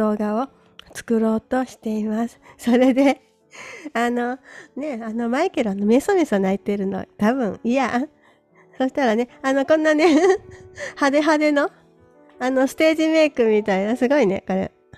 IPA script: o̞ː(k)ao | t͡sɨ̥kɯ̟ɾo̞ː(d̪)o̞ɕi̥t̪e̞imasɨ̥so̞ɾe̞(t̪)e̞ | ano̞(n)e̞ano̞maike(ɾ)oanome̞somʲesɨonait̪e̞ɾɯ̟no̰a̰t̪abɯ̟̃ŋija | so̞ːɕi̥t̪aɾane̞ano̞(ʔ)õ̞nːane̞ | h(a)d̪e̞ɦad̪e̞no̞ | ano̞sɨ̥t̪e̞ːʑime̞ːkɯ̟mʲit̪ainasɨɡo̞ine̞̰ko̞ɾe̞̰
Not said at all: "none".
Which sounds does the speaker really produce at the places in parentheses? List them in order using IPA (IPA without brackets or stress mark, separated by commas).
ɡ, t̪, d̪, n, ɾ, k, a